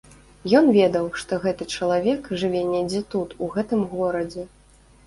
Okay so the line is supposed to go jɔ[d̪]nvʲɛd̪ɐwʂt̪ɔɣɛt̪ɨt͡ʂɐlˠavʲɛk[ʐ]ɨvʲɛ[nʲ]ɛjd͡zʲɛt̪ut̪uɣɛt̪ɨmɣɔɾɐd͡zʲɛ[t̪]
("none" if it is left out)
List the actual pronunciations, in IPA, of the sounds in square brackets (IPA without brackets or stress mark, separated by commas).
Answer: none, ʐ, nʲ, none